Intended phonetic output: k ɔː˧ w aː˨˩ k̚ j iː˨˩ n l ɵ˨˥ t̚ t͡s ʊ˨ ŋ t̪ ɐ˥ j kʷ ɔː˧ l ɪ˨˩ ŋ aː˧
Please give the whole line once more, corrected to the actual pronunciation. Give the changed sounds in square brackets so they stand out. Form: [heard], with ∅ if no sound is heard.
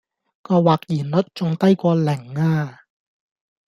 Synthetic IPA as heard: k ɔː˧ w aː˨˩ k̚ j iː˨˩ n l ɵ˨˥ t̚ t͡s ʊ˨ ŋ t̪ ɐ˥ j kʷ ɔː˧ l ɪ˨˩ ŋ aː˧